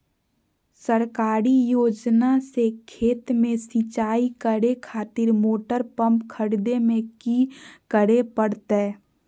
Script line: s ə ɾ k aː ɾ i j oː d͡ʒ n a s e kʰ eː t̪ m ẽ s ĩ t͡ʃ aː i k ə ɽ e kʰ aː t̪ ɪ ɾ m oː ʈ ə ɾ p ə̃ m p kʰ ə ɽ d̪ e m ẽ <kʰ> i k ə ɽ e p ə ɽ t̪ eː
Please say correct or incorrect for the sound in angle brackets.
incorrect